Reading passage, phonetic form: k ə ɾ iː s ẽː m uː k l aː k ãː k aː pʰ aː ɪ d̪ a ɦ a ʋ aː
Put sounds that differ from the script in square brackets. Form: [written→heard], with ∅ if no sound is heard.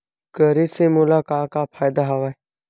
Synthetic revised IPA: k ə ɾ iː s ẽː m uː [k→∅] l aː k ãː k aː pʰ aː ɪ d̪ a ɦ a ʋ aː

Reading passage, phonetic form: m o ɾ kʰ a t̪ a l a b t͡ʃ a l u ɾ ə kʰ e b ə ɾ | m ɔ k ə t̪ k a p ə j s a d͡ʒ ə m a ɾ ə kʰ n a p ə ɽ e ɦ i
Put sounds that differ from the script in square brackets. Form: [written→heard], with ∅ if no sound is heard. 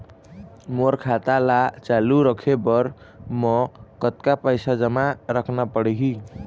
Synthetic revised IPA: m o ɾ kʰ a t̪ a l a [b→∅] t͡ʃ a l u ɾ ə kʰ e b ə ɾ | m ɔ k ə t̪ k a p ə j s a d͡ʒ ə m a ɾ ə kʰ n a p ə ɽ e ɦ i

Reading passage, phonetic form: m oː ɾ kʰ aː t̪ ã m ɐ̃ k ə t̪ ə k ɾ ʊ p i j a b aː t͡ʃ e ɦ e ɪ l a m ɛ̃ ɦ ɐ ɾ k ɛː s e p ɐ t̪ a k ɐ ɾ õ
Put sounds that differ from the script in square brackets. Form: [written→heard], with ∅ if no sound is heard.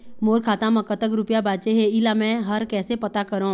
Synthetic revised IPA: m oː ɾ kʰ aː t̪ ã m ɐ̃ k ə t̪ ə k ɾ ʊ p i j a b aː t͡ʃ e ɦ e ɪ l a m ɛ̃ ɦ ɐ ɾ k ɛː s e p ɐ t̪ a k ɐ ɾ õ

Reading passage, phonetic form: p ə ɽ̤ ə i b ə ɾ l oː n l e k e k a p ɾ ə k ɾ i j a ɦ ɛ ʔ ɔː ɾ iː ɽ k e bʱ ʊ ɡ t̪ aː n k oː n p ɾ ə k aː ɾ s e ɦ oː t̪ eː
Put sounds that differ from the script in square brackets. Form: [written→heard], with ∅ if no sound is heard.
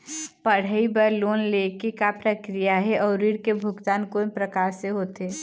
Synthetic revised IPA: p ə ɽ̤ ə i b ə ɾ l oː n l e k e k a p ɾ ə k ɾ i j a ɦ ɛ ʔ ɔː ɾ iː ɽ k e bʱ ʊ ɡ t̪ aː n k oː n p ɾ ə k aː ɾ s e ɦ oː t̪ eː

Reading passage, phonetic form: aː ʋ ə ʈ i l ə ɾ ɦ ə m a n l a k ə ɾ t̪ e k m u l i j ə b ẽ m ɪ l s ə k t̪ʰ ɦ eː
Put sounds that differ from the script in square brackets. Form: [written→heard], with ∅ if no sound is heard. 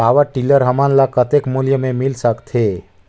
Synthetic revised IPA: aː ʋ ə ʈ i l ə ɾ ɦ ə m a n l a k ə [ɾ→∅] t̪ e k m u l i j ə [b→m] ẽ m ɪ l s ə k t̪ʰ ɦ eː

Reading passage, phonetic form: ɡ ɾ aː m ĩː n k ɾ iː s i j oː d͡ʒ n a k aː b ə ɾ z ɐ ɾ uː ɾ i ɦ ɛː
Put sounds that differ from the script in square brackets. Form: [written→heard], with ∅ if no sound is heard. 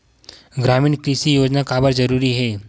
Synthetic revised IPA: ɡ ɾ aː m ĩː n k ɾ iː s i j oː d͡ʒ n a k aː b ə ɾ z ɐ ɾ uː ɾ i ɦ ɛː

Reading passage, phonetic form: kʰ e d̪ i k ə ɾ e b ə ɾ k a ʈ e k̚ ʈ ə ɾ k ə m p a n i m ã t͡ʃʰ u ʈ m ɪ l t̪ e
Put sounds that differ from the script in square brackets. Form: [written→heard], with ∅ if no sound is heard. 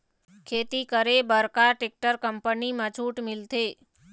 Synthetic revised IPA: kʰ e [d̪→t̪] i k ə ɾ e b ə ɾ k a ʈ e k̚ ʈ ə ɾ k ə m p [a→ə] n i m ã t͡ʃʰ u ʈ m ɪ l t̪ e

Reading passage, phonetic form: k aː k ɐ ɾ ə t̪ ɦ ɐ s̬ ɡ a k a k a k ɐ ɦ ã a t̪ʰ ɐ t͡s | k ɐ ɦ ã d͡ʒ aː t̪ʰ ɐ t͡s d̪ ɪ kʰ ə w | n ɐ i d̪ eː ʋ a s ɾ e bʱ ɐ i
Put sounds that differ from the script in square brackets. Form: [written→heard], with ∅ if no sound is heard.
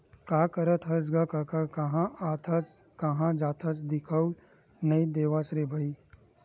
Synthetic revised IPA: k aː k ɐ ɾ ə t̪ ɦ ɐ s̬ ɡ a k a k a k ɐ ɦ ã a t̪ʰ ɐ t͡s | k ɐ ɦ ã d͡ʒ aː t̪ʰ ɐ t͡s d̪ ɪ kʰ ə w | n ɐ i d̪ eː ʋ a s ɾ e bʱ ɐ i

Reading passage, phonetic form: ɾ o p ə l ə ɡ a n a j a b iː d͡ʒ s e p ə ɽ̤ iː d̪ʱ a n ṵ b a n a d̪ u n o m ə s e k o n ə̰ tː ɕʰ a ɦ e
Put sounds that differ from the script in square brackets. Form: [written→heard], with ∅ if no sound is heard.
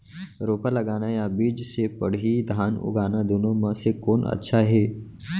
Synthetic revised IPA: ɾ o p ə l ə ɡ a n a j a b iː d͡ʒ s e p ə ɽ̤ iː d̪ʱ a n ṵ [b→ɡ] a n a d̪ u n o m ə s e k o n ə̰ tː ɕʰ a ɦ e

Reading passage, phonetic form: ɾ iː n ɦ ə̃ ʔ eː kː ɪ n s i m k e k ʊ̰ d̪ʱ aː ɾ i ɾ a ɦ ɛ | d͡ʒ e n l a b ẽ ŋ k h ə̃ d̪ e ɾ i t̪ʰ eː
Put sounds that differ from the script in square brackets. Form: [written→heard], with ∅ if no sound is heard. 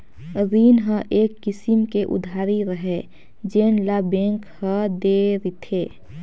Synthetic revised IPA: ɾ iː n ɦ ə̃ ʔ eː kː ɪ [n→∅] s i m k e [k→ʔ] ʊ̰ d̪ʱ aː ɾ i ɾ [a→ə] ɦ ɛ | d͡ʒ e n l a b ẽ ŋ k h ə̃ d̪ e ɾ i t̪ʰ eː

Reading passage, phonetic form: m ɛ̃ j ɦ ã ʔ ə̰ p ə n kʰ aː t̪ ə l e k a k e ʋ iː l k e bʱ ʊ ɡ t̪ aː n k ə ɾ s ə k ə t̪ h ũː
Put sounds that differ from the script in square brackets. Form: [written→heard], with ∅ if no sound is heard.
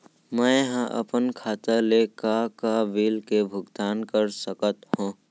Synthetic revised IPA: m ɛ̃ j ɦ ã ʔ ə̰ p ə n kʰ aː t̪ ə l e k a k [e→a] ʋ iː l k e bʱ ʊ ɡ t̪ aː n k ə ɾ s ə k ə t̪ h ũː

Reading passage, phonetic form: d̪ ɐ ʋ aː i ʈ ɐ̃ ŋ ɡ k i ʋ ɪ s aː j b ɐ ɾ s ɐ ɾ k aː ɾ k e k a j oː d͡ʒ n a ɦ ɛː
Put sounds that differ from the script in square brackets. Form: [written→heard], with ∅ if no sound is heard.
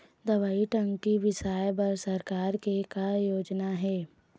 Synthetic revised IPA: d̪ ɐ ʋ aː i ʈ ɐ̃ ŋ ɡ k i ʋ ɪ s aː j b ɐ ɾ s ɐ ɾ k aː ɾ k e k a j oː d͡ʒ n a ɦ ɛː

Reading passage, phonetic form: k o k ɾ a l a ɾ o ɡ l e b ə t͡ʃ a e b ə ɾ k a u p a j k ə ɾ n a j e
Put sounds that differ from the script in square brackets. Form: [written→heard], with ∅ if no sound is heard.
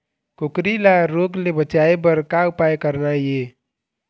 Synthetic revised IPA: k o k ɾ [a→i] l a ɾ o ɡ l e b ə t͡ʃ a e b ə ɾ k a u p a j k ə ɾ n a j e

